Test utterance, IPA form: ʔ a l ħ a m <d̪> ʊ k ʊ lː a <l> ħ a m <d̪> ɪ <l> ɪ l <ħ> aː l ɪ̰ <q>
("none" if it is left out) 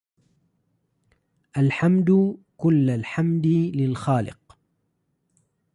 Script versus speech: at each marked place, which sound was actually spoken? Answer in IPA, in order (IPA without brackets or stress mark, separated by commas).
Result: d̪, l, d̪, l, x, q